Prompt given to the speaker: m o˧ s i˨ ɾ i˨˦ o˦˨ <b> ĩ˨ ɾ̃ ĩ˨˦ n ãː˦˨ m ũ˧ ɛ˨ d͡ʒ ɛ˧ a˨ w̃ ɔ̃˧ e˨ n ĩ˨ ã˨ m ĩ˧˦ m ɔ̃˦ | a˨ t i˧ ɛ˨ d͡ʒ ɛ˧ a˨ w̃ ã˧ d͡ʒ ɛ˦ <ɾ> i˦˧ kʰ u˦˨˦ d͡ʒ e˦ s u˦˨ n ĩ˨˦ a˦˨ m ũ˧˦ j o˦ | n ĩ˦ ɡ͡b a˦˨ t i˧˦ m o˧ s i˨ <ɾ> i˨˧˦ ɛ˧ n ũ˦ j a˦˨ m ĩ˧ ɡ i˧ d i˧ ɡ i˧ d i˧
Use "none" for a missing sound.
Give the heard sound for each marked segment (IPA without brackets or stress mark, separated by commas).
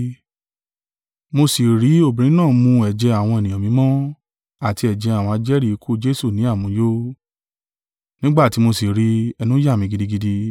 b, ɾ, ɾ